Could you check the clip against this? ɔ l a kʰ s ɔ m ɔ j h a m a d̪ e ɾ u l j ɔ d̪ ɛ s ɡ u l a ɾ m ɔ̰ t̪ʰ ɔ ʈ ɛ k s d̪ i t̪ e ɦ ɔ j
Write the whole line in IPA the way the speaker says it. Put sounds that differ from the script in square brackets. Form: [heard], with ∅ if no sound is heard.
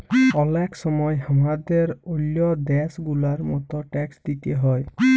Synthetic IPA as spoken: ɔ l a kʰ s ɔ m ɔ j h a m a d̪ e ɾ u l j ɔ d̪ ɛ s ɡ u l a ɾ m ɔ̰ [t̪] ɔ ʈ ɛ k s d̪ i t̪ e ɦ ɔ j